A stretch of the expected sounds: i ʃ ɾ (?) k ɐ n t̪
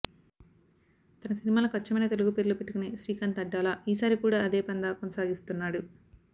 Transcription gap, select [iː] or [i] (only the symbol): iː